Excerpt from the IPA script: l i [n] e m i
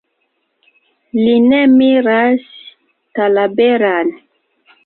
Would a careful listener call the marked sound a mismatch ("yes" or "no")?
no